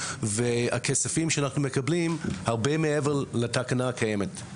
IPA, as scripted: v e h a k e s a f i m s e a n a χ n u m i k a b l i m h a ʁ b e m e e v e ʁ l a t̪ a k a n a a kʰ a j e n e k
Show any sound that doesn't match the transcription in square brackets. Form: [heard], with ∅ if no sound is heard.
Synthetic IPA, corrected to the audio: v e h a k e s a f i m [ʃ] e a n a χ n u m [e] k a b l i m h a ʁ b e m e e v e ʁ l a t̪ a k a n a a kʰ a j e [m] e [t]